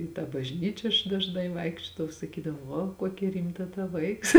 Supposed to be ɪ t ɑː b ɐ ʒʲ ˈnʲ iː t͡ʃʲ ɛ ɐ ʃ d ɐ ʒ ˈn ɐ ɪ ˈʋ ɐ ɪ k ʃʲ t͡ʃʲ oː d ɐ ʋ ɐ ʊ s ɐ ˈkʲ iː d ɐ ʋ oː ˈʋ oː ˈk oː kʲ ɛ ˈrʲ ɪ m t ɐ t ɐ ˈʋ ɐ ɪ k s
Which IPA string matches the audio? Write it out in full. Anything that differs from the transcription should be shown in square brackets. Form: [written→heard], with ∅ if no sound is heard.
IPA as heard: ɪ t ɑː b ɐ ʒʲ ˈnʲ iː t͡ʃʲ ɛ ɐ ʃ d ɐ ʒ ˈn ɐ ɪ ˈʋ ɐ ɪ k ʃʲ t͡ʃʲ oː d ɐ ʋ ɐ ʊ s ɐ ˈkʲ iː d ɐ ʋ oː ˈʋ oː ˈk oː kʲ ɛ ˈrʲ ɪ m t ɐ t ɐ ˈʋ ɐ ɪ k s